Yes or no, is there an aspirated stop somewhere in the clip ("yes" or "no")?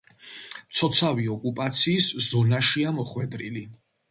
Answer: no